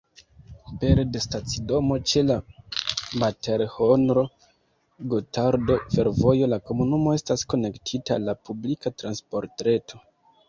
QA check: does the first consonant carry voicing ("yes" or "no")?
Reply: no